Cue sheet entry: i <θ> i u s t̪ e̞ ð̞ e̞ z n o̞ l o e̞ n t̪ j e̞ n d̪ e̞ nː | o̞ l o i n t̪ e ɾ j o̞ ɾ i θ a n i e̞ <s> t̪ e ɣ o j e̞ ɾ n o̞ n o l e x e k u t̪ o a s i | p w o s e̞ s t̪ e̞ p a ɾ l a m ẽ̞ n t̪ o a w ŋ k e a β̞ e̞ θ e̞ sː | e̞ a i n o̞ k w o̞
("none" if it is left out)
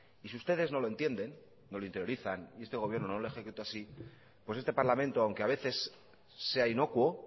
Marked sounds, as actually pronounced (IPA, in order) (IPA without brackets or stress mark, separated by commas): s, s